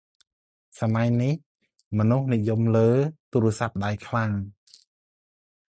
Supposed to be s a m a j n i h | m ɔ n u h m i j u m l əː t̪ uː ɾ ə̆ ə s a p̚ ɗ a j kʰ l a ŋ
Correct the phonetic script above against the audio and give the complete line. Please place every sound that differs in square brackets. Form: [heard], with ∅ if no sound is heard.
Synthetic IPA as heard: s a m a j n i h | m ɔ n u h [n] i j u m l əː t̪ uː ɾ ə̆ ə s a p̚ ɗ a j kʰ l a ŋ